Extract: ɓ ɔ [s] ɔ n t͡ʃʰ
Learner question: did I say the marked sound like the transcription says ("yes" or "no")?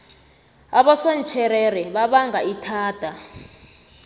yes